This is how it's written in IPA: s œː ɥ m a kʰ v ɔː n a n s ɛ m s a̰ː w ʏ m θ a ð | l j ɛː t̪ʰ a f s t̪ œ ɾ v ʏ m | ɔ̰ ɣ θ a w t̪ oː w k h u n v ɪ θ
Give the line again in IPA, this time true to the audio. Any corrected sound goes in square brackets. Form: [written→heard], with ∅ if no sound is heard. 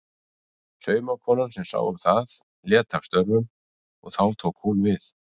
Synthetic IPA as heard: s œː ɥ m a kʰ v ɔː n a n s ɛ m s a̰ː w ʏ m θ a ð | l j ɛː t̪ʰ a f s t̪ œ ɾ v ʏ m | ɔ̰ ɣ θ a w [t̪→t̪ʰ] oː w k h u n v ɪ θ